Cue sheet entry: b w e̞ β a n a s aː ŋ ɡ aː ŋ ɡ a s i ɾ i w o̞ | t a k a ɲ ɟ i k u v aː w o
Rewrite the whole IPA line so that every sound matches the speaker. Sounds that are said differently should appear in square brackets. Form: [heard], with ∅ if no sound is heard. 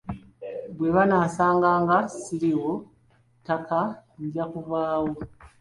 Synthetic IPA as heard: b w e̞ β a n a s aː ŋ ɡ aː ŋ ɡ a s i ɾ i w o̞ | t a k a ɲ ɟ [a] k u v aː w o